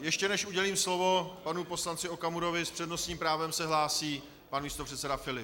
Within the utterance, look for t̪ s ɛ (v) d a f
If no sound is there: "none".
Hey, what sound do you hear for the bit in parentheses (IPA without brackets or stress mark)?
none